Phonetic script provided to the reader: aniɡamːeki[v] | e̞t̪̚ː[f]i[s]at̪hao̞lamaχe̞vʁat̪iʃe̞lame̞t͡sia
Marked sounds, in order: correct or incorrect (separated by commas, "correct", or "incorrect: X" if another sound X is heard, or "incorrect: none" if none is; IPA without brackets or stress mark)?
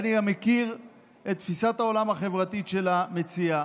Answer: incorrect: ʁ, correct, correct